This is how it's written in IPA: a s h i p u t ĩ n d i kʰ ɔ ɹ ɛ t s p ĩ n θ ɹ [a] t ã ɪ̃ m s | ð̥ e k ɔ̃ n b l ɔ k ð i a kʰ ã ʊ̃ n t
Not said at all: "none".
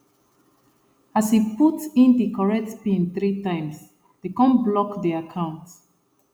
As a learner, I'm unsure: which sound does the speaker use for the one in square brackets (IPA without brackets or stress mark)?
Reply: i